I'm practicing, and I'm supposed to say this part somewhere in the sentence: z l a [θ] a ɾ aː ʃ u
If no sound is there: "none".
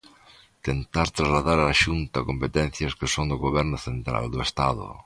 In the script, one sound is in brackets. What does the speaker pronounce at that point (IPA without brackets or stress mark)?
ð